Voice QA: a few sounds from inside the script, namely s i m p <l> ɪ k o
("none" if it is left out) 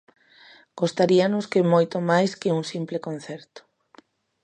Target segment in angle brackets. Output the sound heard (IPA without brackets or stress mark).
l